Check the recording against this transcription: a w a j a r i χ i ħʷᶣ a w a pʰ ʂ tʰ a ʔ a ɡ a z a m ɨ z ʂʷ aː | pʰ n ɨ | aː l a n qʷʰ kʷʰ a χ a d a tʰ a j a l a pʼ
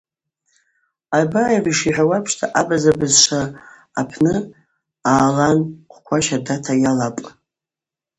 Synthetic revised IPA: a b a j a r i ʂ i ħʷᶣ a w a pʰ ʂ tʰ a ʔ a b a z a b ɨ z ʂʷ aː | pʰ n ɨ | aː l a n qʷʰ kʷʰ a ʃ a d a tʰ a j a l a pʼ

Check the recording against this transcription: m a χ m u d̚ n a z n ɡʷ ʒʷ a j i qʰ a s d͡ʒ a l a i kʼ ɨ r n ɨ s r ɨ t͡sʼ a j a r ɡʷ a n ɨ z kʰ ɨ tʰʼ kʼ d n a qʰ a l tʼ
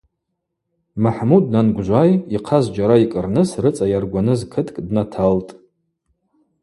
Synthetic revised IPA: m a ħ m u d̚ n a n ɡʷ ʒʷ a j i qʰ a z d͡ʒ a ɾ a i kʼ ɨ r n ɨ s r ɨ t͡sʼ a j a r ɡʷ a n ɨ z kʰ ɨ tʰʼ kʼ d n a tʰ a l tʼ

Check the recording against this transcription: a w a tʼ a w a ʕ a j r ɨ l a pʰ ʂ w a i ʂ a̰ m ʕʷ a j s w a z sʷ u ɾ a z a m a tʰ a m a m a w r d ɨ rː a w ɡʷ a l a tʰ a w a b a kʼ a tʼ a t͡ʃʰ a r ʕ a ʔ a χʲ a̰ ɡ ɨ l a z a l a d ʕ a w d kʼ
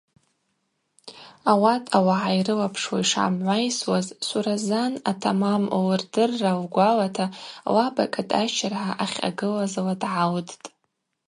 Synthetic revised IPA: a w a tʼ a w a ʕ a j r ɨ l a pʰ ʂ w a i ʂ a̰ m ʕʷ a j s w a z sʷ u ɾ a z a n a tʰ a m a m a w r d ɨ rː a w ɡʷ a l a tʰ a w a b a kʼ a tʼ a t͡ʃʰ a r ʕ a ʔ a χʲ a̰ ɡ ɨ l a z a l a d ʕ a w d tʼ

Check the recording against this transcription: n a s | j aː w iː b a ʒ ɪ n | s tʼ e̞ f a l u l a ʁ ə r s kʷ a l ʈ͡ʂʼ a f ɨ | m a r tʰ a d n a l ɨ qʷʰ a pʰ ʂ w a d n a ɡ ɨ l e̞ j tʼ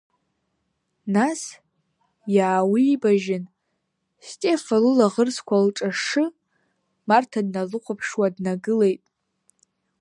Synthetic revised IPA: n a s | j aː w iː b a ʒ ɪ n | s tʼ e̞ f a l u l a ʁ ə r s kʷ a l ʈ͡ʂʼ a ʂ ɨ | m a r tʰ a d n a l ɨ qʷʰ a pʰ ʂ w a d n a ɡ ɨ l e̞ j tʼ

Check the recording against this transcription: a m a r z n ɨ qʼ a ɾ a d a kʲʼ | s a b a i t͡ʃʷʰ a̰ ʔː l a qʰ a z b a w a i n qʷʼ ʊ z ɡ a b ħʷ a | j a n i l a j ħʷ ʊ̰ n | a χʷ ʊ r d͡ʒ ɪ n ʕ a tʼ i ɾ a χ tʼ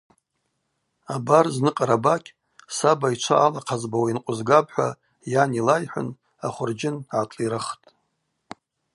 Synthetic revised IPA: a b a r z n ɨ qʼ a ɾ a b a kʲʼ | s a b a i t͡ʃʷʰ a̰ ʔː l a qʰ a z b a w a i n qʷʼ ʊ z ɡ a b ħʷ a | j a n i l a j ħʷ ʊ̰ n | a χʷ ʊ r d͡ʒ ɪ n ʕ a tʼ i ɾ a χ tʼ

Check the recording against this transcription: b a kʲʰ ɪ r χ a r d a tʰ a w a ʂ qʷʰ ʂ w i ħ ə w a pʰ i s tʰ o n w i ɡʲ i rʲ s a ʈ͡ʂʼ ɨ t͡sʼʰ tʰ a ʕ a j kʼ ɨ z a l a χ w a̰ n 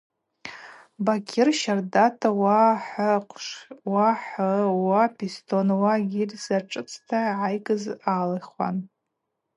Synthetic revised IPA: b a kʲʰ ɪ r ʃ a r d a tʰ a w a ħ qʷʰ ʂ w a ħ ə w a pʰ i s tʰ o n w a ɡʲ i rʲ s a ʈ͡ʂʼ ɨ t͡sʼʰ tʰ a ʕ a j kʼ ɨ z a l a χ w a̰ n

